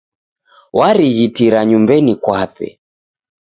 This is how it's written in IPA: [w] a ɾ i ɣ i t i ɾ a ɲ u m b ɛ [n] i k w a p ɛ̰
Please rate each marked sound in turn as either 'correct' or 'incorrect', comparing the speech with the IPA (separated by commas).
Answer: correct, correct